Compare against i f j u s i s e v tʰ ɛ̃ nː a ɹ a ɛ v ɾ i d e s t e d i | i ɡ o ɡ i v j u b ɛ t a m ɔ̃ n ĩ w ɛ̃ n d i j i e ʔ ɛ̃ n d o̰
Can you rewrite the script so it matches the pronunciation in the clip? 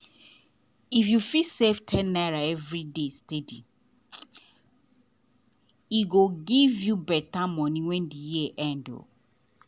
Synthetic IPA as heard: i f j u f i s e f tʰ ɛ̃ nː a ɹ a ɛ v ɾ i d e s t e d i | i ɡ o ɡ i v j u b ɛ t a m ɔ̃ n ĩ w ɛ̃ n d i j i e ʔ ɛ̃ n d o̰